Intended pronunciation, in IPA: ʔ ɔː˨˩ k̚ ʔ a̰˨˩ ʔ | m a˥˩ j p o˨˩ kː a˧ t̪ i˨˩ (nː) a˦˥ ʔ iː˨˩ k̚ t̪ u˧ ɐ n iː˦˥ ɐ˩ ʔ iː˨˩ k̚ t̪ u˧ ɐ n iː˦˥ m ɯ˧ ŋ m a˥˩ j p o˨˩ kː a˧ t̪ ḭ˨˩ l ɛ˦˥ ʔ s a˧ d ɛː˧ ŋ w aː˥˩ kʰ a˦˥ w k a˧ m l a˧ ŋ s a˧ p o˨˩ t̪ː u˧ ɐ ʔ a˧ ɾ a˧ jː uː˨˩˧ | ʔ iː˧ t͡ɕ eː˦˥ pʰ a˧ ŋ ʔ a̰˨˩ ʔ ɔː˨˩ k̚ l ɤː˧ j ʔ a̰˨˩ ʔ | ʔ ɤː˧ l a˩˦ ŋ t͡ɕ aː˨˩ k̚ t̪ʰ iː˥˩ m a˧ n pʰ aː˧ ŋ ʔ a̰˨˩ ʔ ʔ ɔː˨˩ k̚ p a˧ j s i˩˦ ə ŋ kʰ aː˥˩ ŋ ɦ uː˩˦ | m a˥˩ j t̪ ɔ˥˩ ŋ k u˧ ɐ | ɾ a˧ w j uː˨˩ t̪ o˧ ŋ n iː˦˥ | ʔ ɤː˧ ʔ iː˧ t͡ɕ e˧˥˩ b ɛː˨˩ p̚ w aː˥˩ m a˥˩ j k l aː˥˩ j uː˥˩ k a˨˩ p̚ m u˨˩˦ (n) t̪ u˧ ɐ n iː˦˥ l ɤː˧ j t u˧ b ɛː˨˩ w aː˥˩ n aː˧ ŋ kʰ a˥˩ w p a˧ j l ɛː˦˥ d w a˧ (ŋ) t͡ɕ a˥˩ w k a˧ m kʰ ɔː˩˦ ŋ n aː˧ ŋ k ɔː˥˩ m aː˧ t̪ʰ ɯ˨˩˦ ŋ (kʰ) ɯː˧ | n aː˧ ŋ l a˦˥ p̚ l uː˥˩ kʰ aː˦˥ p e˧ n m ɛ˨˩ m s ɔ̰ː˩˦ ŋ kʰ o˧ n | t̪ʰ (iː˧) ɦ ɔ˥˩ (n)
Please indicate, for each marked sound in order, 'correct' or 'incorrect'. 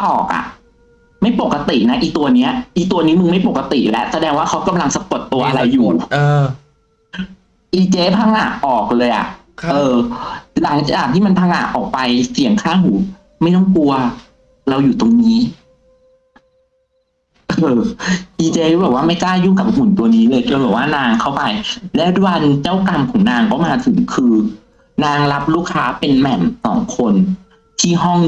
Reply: incorrect, correct, incorrect, correct, incorrect, incorrect

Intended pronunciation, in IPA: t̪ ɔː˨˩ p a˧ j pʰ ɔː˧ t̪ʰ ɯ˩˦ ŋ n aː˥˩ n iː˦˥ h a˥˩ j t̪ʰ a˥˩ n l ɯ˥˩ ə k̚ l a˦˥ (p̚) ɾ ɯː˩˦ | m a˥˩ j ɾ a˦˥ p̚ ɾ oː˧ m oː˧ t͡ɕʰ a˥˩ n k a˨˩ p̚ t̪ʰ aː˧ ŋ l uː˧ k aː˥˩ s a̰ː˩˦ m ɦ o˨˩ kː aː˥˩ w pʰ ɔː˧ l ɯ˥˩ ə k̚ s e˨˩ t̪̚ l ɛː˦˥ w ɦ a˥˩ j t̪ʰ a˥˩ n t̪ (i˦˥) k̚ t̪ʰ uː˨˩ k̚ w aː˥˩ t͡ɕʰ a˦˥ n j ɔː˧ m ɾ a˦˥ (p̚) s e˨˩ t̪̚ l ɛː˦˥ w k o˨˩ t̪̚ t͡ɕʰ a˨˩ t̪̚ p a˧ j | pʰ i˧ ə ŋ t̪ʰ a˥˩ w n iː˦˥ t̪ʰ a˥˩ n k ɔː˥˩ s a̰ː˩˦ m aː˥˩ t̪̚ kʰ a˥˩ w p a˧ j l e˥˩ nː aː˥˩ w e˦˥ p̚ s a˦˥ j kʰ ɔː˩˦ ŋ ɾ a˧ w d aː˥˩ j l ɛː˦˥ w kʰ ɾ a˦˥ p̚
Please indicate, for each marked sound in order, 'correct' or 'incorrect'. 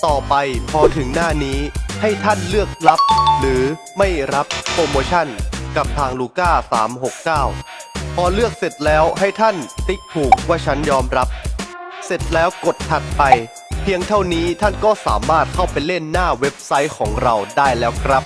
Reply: correct, correct, correct

